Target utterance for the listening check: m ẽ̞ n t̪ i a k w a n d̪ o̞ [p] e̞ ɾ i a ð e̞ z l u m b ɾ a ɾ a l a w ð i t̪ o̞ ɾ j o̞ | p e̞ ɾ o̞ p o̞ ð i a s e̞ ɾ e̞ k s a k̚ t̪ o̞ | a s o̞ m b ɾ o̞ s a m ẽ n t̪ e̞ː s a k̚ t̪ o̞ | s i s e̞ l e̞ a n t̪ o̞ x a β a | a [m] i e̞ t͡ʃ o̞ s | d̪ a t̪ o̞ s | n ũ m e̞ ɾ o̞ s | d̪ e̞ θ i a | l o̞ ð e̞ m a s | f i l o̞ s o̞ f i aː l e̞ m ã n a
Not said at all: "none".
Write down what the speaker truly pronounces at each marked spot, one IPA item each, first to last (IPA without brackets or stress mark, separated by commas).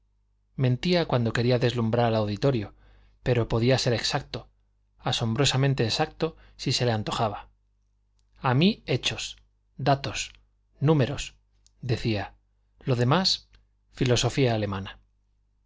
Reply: k, m